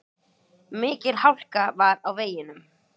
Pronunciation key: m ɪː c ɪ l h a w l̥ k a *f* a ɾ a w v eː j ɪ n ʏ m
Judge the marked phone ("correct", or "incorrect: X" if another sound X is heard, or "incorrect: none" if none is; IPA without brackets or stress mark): incorrect: v